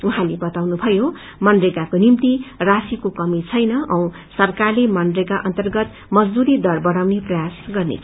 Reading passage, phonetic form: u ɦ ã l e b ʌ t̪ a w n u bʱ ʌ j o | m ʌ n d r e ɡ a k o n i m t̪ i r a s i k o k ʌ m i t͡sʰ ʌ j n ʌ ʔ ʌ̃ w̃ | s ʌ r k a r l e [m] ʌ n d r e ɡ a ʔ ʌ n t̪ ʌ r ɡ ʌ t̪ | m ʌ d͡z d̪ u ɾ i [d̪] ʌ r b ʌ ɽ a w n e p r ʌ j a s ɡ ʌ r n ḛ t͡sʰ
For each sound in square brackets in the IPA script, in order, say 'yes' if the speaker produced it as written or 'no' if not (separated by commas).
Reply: yes, yes